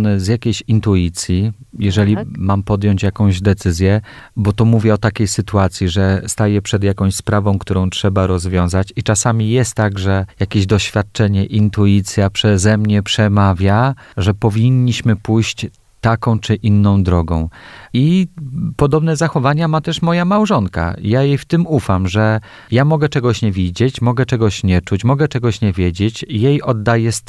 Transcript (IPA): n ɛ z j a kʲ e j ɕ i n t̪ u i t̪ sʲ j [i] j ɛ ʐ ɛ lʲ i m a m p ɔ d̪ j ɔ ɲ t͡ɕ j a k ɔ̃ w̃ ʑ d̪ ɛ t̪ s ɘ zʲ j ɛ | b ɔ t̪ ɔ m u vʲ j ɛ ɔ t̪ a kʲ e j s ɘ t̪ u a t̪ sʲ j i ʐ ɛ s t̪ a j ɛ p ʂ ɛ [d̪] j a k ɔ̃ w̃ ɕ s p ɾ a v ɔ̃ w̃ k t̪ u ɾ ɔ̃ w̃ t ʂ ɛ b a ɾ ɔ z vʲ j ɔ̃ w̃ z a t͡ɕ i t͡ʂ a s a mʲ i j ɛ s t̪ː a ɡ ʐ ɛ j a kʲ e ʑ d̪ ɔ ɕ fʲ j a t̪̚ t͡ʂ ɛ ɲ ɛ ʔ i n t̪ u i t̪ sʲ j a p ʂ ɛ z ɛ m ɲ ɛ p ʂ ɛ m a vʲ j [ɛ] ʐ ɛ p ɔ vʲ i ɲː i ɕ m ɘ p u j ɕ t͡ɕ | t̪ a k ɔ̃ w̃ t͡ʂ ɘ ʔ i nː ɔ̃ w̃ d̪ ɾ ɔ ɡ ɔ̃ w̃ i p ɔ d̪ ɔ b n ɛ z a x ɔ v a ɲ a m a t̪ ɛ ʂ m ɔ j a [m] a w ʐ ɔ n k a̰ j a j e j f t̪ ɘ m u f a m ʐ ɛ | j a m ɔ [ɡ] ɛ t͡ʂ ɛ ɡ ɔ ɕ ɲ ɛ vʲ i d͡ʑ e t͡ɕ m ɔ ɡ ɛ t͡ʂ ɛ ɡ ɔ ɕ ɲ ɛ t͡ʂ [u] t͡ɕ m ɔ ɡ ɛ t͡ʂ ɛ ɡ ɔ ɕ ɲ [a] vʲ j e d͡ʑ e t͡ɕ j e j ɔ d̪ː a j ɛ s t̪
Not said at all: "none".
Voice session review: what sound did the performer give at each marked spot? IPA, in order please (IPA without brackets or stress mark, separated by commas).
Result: i, d̪, a, m, ɡ, u, ɛ